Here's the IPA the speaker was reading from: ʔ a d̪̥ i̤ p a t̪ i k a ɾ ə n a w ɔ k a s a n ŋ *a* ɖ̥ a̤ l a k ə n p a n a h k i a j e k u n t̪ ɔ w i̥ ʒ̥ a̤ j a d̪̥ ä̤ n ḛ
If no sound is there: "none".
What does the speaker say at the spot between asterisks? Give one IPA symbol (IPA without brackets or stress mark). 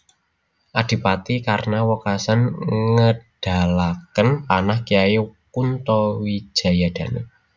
ə